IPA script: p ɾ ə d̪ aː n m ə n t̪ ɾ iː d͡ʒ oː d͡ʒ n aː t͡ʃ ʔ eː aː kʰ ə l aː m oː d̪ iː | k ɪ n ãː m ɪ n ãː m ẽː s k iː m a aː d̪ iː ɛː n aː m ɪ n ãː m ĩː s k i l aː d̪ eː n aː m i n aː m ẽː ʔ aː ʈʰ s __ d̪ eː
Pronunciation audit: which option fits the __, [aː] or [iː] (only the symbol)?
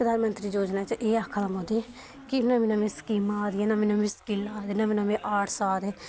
aː